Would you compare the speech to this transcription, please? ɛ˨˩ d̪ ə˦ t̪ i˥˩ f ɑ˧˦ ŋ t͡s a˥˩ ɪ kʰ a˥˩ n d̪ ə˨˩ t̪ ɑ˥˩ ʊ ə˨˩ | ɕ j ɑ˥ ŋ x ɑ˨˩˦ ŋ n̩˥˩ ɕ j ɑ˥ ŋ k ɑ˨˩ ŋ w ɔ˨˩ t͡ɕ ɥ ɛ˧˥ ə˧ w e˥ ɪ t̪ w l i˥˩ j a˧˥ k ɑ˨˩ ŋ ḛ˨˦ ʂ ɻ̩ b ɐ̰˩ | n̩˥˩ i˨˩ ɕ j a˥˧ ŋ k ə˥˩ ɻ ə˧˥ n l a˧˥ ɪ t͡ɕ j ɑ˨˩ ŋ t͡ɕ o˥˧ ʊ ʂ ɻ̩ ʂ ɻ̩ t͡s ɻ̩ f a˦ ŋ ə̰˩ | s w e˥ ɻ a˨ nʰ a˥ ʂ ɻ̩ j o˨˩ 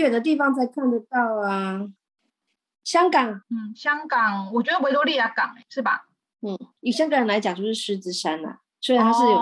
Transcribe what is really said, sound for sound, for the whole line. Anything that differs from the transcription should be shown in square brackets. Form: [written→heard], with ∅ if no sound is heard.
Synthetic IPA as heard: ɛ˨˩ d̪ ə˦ t̪ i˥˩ f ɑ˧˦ ŋ t͡s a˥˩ ɪ kʰ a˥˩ n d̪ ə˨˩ t̪ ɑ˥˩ ʊ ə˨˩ | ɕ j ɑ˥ ŋ [x→k] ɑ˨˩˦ ŋ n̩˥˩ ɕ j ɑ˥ ŋ k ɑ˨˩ ŋ w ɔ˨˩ t͡ɕ ɥ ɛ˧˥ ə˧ w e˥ ɪ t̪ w l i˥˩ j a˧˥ k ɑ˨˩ ŋ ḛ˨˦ ʂ ɻ̩ b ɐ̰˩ | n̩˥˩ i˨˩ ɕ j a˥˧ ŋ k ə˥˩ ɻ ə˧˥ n l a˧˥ ɪ t͡ɕ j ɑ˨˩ ŋ t͡ɕ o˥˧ ʊ ʂ ɻ̩ ʂ ɻ̩ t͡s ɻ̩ [f→ʂ] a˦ [ŋ→n] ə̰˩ | s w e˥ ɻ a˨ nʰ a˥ ʂ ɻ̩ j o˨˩